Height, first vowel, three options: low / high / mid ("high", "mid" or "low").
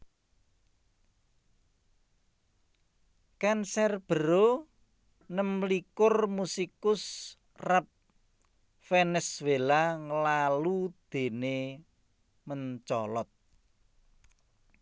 low